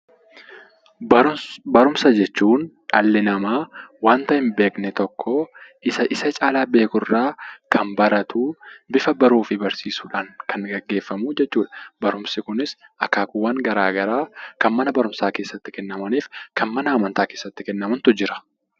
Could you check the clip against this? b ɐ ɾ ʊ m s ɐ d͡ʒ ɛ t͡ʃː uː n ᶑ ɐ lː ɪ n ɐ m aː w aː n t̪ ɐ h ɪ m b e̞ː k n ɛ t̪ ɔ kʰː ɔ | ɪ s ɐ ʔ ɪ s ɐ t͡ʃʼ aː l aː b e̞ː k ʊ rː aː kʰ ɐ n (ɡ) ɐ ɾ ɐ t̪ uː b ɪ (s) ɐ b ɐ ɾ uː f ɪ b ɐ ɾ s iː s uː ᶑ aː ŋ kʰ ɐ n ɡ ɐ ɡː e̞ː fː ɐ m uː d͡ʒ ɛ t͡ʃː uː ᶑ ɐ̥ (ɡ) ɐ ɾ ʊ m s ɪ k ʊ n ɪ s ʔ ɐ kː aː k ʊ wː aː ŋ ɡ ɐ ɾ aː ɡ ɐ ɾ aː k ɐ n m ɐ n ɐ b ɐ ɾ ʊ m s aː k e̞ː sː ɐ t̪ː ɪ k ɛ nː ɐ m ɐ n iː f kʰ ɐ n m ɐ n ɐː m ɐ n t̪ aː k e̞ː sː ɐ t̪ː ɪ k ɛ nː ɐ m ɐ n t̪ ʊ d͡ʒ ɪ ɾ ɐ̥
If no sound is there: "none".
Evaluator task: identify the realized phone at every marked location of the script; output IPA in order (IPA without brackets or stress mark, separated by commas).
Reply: b, f, b